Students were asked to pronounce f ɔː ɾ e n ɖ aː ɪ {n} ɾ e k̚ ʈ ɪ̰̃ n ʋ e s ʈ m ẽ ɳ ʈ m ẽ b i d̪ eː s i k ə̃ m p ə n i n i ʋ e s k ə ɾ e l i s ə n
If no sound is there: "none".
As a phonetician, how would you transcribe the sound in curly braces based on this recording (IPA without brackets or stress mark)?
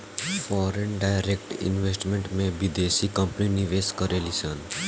none